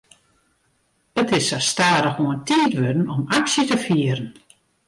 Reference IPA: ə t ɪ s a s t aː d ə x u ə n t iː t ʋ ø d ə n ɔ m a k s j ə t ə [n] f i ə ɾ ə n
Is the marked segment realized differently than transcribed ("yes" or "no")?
yes